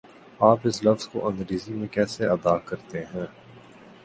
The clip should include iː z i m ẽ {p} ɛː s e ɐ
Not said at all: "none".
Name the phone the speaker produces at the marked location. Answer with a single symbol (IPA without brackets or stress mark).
k